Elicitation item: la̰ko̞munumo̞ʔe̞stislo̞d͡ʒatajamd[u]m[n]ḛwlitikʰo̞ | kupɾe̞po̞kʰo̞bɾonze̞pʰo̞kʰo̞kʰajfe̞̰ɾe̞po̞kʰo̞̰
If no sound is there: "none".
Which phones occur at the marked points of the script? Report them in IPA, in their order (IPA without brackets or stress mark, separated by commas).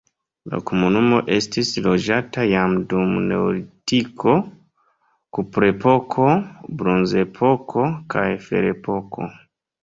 u, n